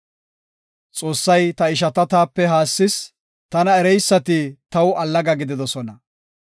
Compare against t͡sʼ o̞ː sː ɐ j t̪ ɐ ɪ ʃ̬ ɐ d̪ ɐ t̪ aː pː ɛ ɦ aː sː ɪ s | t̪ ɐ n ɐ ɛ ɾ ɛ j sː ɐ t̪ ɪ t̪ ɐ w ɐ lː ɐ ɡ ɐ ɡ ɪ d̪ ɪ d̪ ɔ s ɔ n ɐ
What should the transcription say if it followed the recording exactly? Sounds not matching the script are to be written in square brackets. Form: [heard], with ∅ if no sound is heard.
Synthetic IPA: t͡sʼ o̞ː sː ɐ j t̪ ɐ ɪ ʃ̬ ɐ [t̪] ɐ t̪ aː pː ɛ ɦ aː sː ɪ s | t̪ ɐ n ɐ ɛ ɾ ɛ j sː ɐ t̪ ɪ t̪ ɐ w ɐ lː ɐ ɡ ɐ ɡ ɪ d̪ ɪ d̪ ɔ s ɔ n ɐ